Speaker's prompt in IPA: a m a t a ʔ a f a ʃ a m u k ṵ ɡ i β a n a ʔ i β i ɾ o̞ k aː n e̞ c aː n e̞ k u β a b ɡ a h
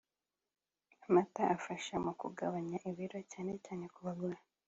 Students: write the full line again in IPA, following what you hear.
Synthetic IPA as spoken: a m a t a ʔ a f a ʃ a m u k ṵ ɡ a β a ɲ a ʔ i β i ɾ o̞ c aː n e̞ c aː n e̞ k u β a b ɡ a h